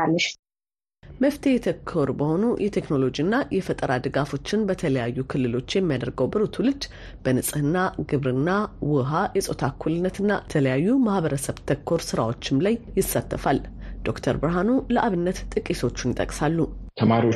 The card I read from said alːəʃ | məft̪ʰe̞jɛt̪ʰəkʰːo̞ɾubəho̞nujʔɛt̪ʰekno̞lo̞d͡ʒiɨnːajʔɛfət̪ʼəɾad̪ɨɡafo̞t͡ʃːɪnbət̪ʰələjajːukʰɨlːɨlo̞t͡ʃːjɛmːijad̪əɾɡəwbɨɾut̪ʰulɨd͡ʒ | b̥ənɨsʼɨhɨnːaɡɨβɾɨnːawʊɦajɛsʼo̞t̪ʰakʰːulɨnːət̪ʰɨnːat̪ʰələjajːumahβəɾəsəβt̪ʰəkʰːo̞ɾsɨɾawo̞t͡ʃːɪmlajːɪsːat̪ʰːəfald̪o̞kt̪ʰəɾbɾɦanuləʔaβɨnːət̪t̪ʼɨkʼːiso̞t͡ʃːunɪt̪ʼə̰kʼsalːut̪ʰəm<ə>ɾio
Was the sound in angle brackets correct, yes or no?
no